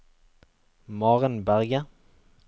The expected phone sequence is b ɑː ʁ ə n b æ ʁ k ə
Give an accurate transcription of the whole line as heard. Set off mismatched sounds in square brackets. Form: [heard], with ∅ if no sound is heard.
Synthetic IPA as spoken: [m] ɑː ʁ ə n b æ ʁ [ɡ] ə